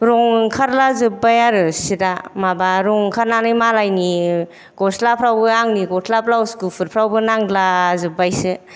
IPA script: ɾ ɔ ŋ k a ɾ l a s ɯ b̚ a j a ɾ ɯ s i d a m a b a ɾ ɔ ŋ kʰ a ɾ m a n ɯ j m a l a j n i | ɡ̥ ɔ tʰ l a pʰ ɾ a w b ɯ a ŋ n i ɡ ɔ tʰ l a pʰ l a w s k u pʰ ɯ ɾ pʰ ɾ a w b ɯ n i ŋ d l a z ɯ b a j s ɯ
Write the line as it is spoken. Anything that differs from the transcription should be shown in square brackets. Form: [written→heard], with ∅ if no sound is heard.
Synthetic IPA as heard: ɾ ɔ ŋ [k→kʰ] a ɾ l a [s→z] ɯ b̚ a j a ɾ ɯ s i d a m a b a ɾ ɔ ŋ kʰ a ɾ [m→n] a n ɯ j m a l a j n i | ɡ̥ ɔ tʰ l a pʰ ɾ a w b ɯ a ŋ n i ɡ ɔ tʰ l a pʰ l a w s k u pʰ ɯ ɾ pʰ ɾ a w b ɯ n [i→a] ŋ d l a z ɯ b a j s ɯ